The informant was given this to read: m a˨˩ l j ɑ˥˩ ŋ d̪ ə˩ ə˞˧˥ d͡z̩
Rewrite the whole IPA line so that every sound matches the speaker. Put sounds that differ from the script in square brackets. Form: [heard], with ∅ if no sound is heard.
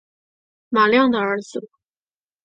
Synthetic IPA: m a˨˩ l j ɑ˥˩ ŋ d̪ ə˩ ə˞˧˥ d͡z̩